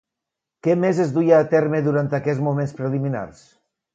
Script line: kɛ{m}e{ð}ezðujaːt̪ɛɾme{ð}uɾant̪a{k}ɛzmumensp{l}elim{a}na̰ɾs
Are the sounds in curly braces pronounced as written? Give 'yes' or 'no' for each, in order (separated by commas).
yes, no, yes, yes, no, no